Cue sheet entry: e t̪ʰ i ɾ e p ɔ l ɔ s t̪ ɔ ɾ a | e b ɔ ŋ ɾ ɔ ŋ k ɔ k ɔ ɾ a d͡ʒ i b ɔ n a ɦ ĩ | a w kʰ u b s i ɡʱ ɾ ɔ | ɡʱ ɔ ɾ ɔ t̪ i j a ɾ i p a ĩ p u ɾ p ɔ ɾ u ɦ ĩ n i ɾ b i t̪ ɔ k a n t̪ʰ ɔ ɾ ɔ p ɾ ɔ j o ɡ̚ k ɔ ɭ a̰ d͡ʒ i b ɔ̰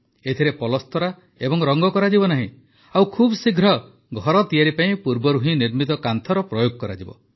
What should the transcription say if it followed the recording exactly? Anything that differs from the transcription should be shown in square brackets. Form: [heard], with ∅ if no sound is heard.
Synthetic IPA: e t̪ʰ i ɾ e p ɔ l ɔ s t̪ ɔ ɾ a | e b ɔ ŋ ɾ ɔ ŋ [ɡ] ɔ k ɔ ɾ a d͡ʒ i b ɔ n a ɦ ĩ | a w kʰ u b s i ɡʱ ɾ ɔ | ɡʱ ɔ ɾ ɔ t̪ i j a ɾ i p a ĩ p u ɾ [b] ɔ ɾ u ɦ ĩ n i ɾ [m] i t̪ ɔ k a n t̪ʰ ɔ ɾ ɔ p ɾ ɔ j o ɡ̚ k ɔ [ɾ] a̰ d͡ʒ i b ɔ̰

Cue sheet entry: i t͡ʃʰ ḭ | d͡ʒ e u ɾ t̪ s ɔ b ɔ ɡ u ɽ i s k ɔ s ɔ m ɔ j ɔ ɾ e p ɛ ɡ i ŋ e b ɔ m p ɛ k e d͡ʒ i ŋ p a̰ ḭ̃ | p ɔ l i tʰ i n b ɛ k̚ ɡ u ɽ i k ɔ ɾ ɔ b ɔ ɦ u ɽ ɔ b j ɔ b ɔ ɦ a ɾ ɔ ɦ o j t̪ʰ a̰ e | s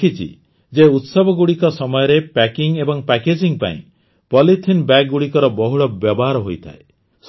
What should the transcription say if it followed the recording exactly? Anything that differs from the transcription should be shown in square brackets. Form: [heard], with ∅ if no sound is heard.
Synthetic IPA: i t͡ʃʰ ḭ | d͡ʒ e u [∅] t̪ s ɔ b ɔ ɡ u ɽ i [∅] k ɔ s ɔ m ɔ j ɔ ɾ e p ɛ [k] i ŋ e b ɔ [ŋ] p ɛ k e d͡ʒ i ŋ p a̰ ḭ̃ | p ɔ l i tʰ i n b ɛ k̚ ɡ u ɽ i k ɔ ɾ ɔ b ɔ ɦ u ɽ ɔ b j ɔ b ɔ ɦ a ɾ ɔ ɦ o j t̪ʰ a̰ e | s

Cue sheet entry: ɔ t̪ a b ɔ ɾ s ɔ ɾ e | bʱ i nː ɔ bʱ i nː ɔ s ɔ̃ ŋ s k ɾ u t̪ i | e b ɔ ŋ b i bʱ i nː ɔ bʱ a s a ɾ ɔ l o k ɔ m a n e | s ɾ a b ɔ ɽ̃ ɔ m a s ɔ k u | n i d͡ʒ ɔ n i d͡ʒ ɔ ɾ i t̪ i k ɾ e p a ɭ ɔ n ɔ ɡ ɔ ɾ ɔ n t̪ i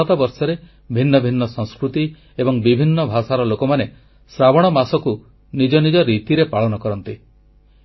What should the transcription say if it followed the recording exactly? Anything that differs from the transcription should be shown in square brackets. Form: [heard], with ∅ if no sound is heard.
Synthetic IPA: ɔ t̪ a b ɔ ɾ s ɔ ɾ e | bʱ i nː ɔ bʱ i nː ɔ s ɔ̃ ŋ s k ɾ u t̪ i | e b ɔ ŋ b i bʱ i nː ɔ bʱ a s a ɾ ɔ l o k ɔ m a n e | s ɾ a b ɔ ɽ̃ ɔ m a s ɔ k u | n i d͡ʒ ɔ n i d͡ʒ ɔ ɾ i t̪ i [∅] ɾ e p a ɭ ɔ n ɔ [k] ɔ ɾ ɔ n t̪ i

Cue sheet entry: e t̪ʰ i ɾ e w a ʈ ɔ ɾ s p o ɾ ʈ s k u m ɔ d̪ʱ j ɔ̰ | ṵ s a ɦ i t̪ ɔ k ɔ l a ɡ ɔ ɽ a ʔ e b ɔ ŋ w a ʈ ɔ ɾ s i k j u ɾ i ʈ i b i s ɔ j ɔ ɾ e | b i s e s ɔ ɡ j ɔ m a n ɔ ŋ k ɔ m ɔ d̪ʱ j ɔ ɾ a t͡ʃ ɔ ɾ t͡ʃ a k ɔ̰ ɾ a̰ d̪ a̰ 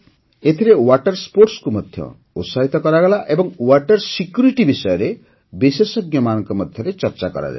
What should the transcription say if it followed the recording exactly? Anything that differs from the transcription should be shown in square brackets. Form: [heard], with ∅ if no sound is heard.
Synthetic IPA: e t̪ʰ i ɾ e w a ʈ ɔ ɾ s p o ɾ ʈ s k u m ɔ d̪ʱ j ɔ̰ | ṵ s a ɦ i t̪ ɔ k ɔ [ɾ] a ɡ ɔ [l] a ʔ e b ɔ ŋ w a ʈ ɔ ɾ s i k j u ɾ i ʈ i b i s ɔ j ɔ ɾ e | b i s e s ɔ ɡ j ɔ m a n ɔ ŋ k ɔ m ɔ d̪ʱ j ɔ ɾ [e] t͡ʃ ɔ ɾ t͡ʃ a k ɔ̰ ɾ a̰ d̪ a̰

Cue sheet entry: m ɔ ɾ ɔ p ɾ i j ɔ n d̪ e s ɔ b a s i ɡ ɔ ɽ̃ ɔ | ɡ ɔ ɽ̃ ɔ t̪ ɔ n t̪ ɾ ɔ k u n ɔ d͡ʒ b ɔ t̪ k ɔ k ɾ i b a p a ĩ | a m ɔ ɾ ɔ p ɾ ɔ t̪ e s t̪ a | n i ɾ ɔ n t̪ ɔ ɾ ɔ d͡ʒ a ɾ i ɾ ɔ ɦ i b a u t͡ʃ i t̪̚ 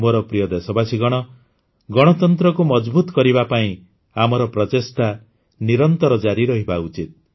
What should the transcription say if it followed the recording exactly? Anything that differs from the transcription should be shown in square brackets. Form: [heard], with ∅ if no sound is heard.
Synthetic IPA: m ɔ ɾ ɔ p ɾ i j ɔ [∅] d̪ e s ɔ b a s i ɡ ɔ ɽ̃ ɔ | ɡ ɔ ɽ̃ ɔ t̪ ɔ n t̪ ɾ ɔ k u [m] ɔ d͡ʒ b [u] t̪ k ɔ [∅] ɾ i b a p a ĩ | a m ɔ ɾ ɔ p ɾ ɔ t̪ e s t̪ a | n i ɾ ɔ n t̪ ɔ ɾ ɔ d͡ʒ a ɾ i ɾ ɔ ɦ i b a u t͡ʃ i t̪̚

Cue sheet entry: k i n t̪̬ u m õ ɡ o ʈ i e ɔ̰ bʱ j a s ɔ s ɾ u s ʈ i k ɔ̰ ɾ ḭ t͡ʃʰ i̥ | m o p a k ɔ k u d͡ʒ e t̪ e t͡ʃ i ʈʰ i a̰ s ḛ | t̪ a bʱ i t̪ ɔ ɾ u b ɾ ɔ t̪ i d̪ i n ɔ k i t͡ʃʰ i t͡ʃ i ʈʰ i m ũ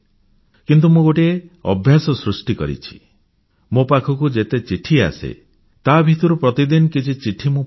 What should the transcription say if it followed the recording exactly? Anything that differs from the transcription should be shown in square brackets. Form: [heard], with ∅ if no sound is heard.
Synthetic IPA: k i n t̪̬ u m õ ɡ o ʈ i e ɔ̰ bʱ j a s ɔ s ɾ u s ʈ i k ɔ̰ ɾ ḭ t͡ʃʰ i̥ | m o p a [kʰ] ɔ k u d͡ʒ e t̪ e t͡ʃ i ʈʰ i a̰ s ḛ | t̪ a bʱ i t̪ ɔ ɾ u [p] ɾ ɔ t̪ i d̪ i n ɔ k i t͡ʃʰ i t͡ʃ i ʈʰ i m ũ

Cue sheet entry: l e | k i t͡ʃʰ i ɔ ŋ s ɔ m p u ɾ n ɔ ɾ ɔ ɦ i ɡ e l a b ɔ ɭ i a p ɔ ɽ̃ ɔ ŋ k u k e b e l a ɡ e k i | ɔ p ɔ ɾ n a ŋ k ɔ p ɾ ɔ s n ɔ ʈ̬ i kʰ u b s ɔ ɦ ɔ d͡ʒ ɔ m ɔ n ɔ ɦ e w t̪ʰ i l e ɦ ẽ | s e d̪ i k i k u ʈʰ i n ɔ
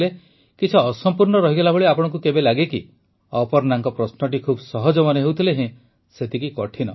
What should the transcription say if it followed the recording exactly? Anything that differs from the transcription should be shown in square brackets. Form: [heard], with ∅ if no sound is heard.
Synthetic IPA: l e | k i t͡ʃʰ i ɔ [∅] s ɔ m p u ɾ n ɔ ɾ ɔ ɦ i ɡ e l a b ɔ ɭ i a p ɔ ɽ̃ ɔ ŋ k u k e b e l a ɡ e k i | ɔ p ɔ ɾ n a ŋ k ɔ p ɾ ɔ s n ɔ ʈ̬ i kʰ u b s ɔ ɦ ɔ d͡ʒ ɔ m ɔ n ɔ ɦ e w t̪ʰ i l e ɦ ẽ | s e [t̪] i k i k [ɔ] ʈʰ i n ɔ

